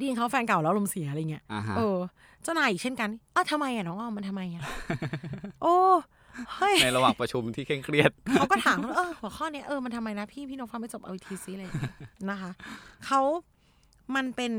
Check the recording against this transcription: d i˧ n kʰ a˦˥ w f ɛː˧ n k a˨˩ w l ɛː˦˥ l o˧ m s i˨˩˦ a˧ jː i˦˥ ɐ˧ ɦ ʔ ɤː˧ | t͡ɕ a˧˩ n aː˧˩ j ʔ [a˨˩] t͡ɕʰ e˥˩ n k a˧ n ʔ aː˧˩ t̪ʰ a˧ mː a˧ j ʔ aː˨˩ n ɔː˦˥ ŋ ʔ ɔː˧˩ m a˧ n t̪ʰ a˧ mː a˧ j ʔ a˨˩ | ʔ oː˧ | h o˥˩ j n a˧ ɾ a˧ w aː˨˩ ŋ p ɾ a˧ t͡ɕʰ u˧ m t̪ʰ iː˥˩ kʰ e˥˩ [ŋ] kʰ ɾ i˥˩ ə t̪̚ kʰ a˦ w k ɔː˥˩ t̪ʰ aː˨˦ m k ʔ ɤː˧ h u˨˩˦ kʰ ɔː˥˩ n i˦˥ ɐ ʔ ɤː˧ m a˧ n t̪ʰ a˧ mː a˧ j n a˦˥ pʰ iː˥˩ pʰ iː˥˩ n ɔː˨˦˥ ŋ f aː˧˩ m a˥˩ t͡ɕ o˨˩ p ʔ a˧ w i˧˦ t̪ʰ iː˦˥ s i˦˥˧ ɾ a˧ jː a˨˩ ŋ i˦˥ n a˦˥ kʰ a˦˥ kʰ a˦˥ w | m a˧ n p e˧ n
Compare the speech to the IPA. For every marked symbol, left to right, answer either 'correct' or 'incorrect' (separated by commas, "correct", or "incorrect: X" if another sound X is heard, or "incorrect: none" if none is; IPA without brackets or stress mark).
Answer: incorrect: i˨˩, correct